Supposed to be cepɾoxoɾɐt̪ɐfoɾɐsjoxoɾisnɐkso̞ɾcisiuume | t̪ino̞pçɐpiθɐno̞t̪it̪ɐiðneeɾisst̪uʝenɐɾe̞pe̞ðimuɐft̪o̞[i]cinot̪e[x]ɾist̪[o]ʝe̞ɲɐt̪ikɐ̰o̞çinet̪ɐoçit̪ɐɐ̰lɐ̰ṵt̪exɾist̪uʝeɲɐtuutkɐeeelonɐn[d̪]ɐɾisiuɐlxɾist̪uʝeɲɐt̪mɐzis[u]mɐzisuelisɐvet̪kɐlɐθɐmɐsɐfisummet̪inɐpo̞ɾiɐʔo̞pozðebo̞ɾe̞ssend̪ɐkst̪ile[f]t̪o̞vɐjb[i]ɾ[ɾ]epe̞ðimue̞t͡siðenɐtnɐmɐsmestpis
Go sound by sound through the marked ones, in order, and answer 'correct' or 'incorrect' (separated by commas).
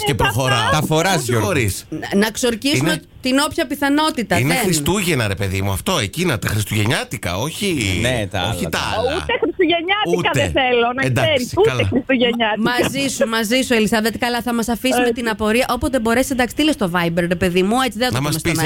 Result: incorrect, correct, incorrect, correct, correct, incorrect, incorrect, correct